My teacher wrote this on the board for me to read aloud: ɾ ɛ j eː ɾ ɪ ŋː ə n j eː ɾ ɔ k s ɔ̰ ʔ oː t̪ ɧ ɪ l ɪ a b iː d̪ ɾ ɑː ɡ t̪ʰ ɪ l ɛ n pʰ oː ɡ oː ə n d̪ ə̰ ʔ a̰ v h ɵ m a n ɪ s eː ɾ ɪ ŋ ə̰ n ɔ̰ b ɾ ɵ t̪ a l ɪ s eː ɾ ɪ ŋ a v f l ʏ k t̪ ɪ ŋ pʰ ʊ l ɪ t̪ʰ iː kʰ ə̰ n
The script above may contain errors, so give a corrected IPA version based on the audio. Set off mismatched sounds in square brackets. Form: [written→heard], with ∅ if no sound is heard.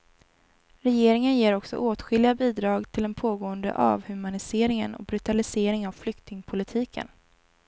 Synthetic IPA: ɾ ɛ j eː ɾ ɪ [ŋː→ŋ] ə n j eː ɾ ɔ k s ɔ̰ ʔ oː t̪ ɧ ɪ l ɪ a b iː d̪ ɾ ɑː ɡ t̪ʰ ɪ l ɛ n pʰ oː ɡ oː ə n d̪ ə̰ ʔ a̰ v h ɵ m a n ɪ s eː ɾ ɪ ŋ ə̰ n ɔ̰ b ɾ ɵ t̪ a l ɪ s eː ɾ ɪ ŋ a v f l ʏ k t̪ ɪ ŋ pʰ ʊ l ɪ t̪ʰ iː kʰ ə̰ n